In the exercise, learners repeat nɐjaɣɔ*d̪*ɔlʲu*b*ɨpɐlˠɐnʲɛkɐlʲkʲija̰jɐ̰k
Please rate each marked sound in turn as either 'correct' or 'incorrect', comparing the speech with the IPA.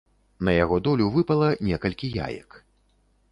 correct, incorrect: v

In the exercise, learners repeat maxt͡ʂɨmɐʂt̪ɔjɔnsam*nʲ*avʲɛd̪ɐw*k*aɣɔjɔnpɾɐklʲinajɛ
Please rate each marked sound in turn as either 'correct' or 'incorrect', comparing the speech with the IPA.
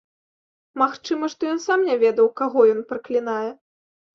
correct, correct

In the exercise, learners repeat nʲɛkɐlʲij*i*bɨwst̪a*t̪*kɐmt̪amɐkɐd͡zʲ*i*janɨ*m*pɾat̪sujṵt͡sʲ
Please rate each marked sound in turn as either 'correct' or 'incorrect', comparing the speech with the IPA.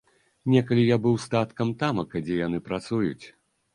incorrect: a, correct, incorrect: ɛ, incorrect: none

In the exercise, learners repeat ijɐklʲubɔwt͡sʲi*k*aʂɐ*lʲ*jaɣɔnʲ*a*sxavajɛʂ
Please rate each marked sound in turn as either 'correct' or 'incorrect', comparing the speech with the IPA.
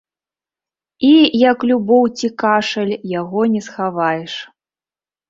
correct, correct, incorrect: ɛ

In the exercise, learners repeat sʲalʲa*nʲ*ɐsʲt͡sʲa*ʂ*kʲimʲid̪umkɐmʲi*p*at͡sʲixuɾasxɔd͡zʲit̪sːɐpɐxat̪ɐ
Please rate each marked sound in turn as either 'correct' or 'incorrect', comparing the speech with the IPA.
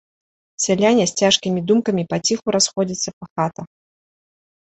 correct, correct, correct

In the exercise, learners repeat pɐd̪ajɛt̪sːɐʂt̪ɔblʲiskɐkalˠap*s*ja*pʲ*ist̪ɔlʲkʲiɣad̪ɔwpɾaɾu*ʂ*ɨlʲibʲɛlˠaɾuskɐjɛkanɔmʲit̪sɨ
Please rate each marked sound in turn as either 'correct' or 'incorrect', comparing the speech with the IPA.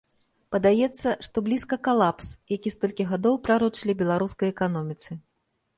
correct, incorrect: kʲ, incorrect: t͡ʂ

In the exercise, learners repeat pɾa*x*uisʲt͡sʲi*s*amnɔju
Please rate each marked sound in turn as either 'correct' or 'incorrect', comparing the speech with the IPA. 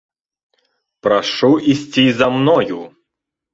incorrect: ʂ, incorrect: z

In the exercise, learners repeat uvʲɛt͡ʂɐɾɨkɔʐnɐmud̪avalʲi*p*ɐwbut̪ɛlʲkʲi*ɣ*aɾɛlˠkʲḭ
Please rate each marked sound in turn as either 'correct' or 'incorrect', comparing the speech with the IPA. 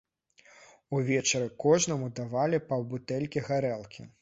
correct, correct

